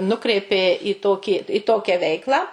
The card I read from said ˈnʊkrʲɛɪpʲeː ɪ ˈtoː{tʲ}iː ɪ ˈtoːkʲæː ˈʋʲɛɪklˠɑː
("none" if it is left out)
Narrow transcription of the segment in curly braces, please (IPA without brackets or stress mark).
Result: kʲ